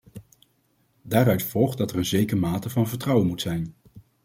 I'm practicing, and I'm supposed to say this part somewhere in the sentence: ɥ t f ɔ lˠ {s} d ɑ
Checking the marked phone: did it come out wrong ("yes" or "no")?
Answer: yes